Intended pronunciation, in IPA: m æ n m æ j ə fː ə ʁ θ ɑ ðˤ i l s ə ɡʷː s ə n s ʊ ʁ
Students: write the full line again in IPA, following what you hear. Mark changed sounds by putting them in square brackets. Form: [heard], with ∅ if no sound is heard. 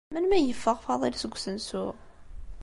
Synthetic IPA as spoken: m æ n m æ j ə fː ə ʁ [f] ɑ ðˤ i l s ə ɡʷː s ə n s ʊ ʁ